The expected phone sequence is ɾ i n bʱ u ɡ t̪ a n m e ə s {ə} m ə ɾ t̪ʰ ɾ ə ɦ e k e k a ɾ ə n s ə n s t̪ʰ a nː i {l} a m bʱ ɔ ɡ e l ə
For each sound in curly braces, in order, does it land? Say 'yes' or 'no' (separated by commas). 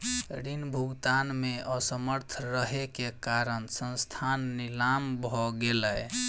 yes, yes